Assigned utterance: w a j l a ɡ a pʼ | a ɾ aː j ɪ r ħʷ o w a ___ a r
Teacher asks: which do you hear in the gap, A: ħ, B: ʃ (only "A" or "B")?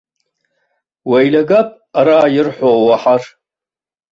A